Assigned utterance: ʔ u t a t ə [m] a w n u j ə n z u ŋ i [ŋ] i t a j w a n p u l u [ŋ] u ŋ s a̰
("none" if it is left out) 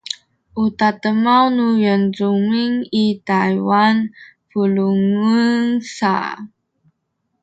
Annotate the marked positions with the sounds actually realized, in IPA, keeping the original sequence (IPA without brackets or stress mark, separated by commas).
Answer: m, ŋ, ŋ